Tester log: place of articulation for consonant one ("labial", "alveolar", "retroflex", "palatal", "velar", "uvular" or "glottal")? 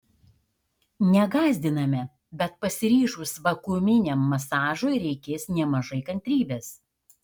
alveolar